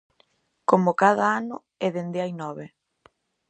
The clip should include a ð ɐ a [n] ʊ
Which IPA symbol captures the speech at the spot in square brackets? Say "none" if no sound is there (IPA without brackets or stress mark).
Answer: n